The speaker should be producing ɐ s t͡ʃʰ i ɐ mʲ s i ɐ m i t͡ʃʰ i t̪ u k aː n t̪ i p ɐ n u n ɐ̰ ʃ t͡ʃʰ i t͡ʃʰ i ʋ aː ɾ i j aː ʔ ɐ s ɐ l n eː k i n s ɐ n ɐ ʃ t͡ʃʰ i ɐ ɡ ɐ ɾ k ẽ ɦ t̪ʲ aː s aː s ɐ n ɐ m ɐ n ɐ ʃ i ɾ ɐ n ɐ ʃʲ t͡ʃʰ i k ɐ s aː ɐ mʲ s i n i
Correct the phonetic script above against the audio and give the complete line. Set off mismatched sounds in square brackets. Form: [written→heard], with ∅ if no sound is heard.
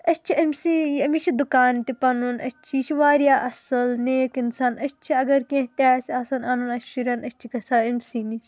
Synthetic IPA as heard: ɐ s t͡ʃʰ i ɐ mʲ s i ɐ m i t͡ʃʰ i [t̪→d̪] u k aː n t̪ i p ɐ n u n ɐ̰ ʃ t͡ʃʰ i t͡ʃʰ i ʋ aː ɾ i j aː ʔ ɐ s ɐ l n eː k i n s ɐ n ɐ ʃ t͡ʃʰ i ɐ ɡ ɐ ɾ k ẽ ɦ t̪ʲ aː s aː s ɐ n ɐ [m→n] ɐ n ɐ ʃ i ɾ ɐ n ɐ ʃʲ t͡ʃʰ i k ɐ s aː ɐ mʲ s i n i